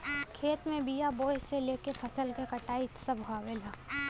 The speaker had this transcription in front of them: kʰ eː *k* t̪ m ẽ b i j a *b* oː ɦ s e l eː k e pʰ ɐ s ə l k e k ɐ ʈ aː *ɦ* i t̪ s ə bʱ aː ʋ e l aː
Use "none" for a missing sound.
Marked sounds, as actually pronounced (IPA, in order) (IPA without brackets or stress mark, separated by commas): none, b, none